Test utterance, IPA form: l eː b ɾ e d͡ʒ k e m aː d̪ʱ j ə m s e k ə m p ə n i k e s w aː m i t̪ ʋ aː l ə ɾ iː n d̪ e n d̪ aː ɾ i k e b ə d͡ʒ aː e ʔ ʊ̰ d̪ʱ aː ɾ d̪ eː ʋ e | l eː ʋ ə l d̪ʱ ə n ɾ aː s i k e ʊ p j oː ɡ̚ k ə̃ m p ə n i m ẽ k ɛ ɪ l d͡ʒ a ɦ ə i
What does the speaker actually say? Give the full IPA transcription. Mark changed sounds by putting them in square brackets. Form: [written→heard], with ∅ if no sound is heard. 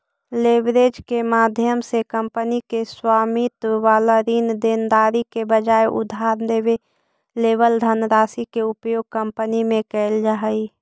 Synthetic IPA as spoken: l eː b ɾ e d͡ʒ k e m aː d̪ʱ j ə m s e k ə m p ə n i k e s w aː m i t̪ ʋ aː l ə ɾ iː n d̪ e n d̪ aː ɾ i k e b ə d͡ʒ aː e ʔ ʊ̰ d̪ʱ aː ɾ d̪ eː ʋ e | l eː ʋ ə l d̪ʱ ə n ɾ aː s i k e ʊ p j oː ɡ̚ k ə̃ m p ə n i m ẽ k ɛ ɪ l d͡ʒ a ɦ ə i